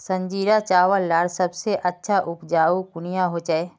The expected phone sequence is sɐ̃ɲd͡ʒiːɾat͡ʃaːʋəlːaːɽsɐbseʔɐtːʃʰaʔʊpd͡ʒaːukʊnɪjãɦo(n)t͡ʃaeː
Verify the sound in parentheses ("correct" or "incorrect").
incorrect